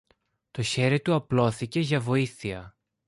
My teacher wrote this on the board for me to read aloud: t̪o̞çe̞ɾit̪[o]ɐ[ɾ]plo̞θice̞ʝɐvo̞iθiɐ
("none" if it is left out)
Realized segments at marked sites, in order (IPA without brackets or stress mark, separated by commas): u, none